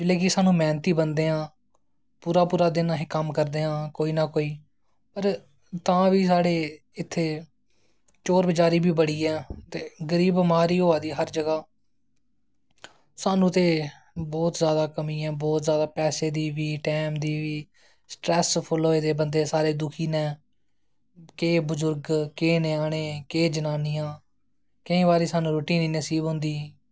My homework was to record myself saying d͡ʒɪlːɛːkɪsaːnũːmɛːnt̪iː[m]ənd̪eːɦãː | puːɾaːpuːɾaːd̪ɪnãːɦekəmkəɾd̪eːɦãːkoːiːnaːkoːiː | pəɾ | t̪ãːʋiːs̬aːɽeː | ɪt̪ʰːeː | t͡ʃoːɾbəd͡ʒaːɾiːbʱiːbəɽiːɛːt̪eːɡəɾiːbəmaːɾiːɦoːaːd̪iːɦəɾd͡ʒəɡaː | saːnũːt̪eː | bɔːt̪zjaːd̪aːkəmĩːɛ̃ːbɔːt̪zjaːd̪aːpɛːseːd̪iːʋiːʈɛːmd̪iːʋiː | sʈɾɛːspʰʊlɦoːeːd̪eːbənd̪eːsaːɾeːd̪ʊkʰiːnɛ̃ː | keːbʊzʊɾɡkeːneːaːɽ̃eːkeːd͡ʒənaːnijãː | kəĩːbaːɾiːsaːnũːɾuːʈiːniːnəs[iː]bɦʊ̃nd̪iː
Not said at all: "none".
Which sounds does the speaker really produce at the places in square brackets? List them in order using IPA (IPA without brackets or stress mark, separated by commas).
b, iː